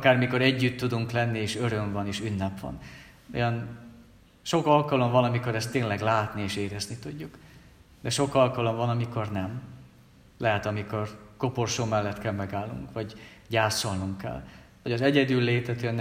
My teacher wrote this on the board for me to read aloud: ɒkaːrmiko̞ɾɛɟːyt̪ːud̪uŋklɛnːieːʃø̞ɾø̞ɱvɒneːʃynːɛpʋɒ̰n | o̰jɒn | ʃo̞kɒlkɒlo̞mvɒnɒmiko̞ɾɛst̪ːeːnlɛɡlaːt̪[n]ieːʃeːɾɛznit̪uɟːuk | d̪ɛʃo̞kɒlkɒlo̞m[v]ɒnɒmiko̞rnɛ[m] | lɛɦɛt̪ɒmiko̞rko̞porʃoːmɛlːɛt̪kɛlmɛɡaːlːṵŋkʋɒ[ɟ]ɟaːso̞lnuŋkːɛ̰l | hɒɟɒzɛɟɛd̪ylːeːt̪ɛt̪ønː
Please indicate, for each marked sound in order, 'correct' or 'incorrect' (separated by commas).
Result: correct, correct, correct, correct